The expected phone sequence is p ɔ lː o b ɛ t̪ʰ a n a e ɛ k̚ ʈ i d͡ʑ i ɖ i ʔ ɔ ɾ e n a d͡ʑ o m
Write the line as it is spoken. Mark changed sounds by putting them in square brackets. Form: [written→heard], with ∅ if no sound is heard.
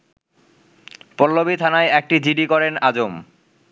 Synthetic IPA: p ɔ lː o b [ɛ→i] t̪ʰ a n a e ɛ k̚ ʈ i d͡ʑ i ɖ i [ʔ→k] ɔ ɾ e n a d͡ʑ o m